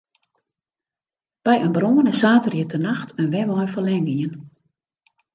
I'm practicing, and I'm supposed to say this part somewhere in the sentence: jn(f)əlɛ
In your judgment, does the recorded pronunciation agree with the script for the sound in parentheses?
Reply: yes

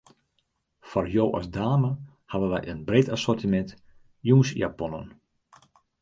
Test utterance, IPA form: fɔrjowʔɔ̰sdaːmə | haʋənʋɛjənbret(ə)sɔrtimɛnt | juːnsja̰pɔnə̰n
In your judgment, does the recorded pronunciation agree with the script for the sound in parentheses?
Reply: no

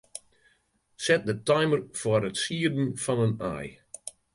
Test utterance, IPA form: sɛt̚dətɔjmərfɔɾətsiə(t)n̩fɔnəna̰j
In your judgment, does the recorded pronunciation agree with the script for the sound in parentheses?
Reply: no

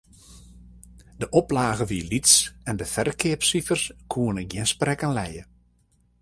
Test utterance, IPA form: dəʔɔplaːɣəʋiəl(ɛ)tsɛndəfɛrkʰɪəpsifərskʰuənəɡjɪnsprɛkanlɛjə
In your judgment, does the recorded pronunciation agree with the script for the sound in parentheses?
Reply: no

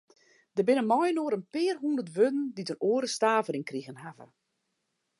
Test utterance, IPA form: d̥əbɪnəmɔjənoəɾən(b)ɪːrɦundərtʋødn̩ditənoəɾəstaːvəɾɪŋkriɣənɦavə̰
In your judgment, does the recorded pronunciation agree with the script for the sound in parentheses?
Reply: no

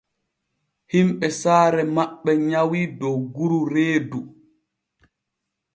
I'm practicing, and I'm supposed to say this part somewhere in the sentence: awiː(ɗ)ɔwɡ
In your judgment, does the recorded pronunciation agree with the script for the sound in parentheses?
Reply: no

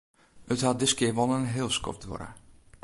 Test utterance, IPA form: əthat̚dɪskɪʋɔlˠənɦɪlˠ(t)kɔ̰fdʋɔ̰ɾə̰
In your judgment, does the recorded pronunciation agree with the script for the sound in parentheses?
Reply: no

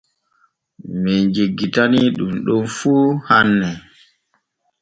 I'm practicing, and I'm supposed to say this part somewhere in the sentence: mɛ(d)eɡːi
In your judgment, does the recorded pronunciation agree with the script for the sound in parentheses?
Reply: no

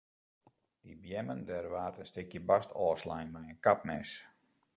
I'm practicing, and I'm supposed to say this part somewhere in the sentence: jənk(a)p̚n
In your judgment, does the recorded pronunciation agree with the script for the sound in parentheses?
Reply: yes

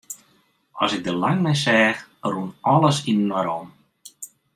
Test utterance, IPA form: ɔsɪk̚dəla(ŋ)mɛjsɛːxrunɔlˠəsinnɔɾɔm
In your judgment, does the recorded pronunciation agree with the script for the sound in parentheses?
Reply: yes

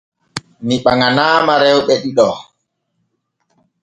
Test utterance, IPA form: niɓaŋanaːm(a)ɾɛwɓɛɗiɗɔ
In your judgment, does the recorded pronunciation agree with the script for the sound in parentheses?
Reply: yes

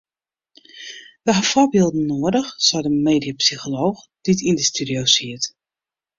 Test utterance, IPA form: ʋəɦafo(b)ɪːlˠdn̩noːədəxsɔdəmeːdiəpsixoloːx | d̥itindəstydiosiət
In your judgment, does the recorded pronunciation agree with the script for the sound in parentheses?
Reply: yes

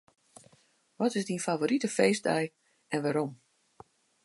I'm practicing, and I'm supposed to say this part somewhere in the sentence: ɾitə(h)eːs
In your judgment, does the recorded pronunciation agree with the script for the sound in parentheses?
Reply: no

